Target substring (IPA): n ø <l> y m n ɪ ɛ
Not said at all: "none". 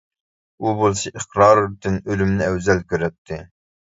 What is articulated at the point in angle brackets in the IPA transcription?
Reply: l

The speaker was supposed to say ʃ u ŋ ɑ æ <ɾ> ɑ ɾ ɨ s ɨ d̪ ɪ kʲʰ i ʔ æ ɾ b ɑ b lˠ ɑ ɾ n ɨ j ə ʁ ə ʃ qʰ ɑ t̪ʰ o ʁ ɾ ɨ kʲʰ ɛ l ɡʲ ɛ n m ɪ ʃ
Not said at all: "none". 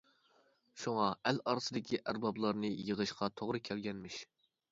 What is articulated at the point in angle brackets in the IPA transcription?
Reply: l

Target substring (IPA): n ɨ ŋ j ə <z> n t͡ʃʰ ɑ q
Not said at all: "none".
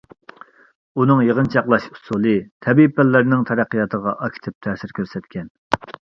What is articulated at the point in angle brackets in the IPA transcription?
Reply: ʁ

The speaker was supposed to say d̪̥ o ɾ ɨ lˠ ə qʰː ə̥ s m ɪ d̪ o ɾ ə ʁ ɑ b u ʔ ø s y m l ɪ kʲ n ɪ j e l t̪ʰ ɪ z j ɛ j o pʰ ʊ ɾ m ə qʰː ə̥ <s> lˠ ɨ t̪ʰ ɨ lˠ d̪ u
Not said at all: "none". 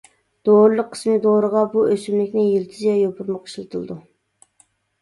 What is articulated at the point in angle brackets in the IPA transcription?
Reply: ʃ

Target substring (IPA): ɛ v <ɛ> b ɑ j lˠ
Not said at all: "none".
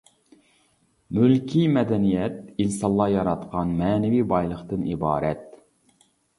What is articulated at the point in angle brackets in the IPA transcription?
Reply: i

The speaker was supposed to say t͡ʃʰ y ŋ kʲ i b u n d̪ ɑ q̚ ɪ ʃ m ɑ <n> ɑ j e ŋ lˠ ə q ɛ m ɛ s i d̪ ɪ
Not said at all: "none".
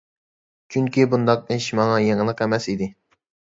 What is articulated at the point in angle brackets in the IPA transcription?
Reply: ŋ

